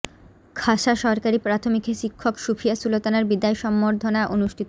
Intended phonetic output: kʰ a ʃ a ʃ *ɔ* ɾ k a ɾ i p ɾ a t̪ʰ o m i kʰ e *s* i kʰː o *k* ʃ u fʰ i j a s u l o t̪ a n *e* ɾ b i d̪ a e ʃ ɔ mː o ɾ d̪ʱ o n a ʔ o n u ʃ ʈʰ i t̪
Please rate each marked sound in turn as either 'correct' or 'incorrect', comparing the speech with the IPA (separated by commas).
correct, incorrect, correct, incorrect